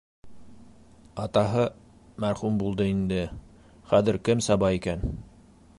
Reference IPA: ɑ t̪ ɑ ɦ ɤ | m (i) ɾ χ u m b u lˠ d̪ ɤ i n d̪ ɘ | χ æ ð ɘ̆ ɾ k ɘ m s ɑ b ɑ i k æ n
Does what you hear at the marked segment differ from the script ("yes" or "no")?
yes